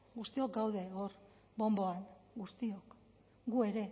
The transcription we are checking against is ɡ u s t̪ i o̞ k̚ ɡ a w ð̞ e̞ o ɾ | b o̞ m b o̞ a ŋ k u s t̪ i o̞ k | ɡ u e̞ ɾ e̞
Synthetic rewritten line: ɡ u s t̪ i o̞ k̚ ɡ a w ð̞ e̞ o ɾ | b o̞ m b o̞ a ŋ ɡ u s t̪ i o̞ k | ɡ u e̞ ɾ e̞